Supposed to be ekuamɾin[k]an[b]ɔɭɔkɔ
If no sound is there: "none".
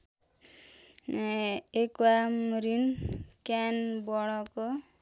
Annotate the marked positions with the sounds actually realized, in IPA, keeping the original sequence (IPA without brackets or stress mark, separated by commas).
k, b